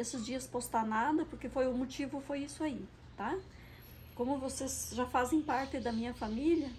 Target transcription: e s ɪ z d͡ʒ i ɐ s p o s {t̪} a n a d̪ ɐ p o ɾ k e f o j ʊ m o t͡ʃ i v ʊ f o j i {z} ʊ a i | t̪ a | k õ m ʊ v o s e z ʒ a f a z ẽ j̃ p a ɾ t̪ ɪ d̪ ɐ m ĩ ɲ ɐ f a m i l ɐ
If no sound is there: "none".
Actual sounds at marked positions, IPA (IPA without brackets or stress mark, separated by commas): t̪, s